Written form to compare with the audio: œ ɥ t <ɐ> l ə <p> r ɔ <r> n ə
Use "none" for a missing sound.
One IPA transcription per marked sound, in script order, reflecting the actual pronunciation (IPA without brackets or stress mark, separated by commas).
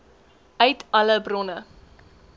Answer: ɐ, b, none